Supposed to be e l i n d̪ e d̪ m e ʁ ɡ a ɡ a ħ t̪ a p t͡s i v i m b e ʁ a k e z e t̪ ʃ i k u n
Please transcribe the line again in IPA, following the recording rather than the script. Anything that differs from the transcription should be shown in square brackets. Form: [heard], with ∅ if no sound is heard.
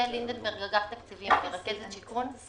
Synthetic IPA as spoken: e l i n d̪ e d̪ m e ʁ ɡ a ɡ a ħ t̪ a [k] t͡s i v i m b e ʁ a k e z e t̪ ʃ i k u n